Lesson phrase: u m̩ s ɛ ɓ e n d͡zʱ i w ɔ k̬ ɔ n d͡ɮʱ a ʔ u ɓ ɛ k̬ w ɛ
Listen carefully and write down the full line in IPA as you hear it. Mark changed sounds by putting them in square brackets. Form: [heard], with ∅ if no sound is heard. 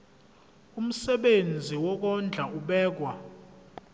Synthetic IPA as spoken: u m̩ s ɛ ɓ e n d͡zʱ i w ɔ k̬ ɔ n d͡ɮʱ a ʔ u ɓ [ɛː] k̬ w [a]